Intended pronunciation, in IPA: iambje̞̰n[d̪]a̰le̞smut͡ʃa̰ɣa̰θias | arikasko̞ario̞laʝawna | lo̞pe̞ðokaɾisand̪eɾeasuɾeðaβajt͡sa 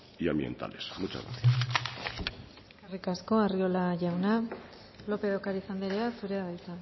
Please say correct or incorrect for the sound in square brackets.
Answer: incorrect